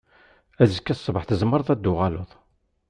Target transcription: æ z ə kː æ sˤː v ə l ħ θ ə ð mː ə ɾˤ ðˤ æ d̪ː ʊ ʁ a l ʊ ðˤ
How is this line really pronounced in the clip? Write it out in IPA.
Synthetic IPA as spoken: æ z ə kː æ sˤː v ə ħ θ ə z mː ə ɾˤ ðˤ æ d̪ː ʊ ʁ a l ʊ ðˤ